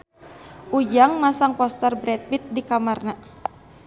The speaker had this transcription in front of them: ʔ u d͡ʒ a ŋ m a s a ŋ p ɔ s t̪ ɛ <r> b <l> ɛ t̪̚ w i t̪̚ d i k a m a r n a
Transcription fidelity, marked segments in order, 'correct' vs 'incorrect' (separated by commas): correct, incorrect